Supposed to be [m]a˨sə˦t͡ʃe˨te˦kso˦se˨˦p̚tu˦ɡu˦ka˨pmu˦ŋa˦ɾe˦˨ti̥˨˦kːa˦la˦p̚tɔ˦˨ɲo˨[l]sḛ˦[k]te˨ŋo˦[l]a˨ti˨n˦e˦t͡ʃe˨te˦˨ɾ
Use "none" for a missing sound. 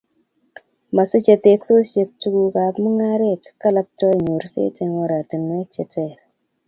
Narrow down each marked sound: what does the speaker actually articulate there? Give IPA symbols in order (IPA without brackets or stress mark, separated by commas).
m, ɾ, none, ɾ